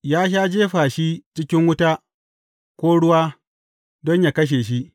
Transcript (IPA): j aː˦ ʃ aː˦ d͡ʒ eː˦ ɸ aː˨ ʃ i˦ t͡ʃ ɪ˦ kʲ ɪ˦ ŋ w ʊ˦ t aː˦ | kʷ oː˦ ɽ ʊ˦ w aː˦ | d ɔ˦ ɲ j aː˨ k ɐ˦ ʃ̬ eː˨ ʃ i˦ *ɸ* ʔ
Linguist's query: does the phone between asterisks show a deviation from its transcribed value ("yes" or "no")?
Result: yes